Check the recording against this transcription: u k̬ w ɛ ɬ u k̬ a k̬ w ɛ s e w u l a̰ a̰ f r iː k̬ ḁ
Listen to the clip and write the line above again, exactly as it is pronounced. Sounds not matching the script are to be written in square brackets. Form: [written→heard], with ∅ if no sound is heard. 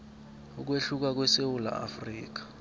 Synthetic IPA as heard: u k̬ w [ɛ→e] ɬ u k̬ a k̬ w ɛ s e w u l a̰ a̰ f r iː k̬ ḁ